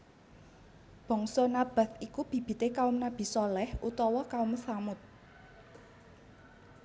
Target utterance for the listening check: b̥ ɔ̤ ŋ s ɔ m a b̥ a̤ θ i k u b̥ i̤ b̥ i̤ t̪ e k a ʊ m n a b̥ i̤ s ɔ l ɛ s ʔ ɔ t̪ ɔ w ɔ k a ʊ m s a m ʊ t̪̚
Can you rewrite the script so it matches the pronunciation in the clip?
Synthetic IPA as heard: b̥ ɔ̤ ŋ s ɔ n a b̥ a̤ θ i k u b̥ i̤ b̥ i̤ t̪ e k a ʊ m n a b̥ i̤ s ɔ l ɛ h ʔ u t̪ ɔ w ɔ k a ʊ m s a m ʊ t̪̚